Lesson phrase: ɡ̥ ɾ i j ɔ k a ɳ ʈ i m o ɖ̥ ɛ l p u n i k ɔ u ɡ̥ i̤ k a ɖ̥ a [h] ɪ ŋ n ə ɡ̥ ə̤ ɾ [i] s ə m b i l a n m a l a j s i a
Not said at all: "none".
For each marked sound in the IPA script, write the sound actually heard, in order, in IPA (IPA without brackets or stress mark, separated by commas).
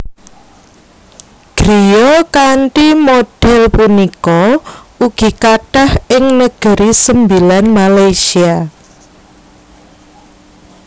h, i